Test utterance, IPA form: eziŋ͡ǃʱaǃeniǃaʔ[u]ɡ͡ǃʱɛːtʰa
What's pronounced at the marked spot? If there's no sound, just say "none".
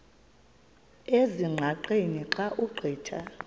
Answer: u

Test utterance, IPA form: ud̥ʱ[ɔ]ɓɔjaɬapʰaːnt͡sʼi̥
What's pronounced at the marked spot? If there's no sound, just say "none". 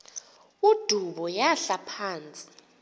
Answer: u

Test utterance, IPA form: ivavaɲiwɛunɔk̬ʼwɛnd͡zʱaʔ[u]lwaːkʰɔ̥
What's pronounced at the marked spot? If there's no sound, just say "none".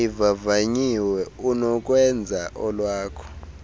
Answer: ɔ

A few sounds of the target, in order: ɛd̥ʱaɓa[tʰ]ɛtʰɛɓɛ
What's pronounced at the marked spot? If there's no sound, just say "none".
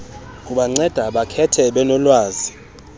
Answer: kʰ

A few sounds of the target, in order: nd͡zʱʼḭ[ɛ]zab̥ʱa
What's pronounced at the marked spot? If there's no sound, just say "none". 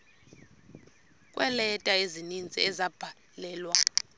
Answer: ɛ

